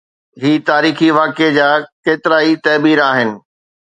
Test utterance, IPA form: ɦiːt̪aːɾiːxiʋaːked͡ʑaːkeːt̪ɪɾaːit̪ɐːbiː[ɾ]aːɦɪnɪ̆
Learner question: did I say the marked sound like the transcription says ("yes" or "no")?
yes